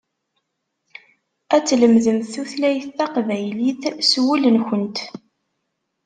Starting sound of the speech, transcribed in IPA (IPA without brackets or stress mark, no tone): æ